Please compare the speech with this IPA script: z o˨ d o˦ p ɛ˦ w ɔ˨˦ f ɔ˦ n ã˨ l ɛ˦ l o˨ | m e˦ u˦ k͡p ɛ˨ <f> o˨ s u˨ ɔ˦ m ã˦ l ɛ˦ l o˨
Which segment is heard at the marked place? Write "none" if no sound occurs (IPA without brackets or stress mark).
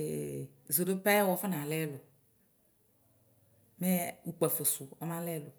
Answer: f